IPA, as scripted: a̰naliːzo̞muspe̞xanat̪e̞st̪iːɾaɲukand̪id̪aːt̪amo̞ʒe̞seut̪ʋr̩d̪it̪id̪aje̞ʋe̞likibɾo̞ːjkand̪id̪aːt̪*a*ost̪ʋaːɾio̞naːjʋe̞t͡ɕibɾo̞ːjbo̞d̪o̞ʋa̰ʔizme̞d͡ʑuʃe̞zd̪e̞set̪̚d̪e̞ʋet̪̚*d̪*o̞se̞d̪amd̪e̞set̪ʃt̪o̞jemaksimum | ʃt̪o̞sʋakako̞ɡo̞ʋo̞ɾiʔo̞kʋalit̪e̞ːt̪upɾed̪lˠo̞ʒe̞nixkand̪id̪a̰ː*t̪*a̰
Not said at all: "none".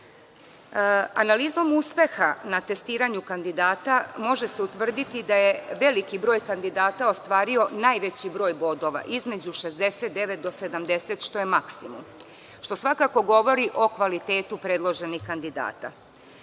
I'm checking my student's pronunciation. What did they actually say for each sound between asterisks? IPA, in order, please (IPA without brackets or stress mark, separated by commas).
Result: a, d̪, t̪